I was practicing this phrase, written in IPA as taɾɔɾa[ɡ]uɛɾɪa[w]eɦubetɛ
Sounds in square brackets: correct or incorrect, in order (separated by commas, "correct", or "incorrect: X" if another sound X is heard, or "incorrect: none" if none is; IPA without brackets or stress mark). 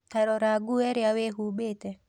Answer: correct, correct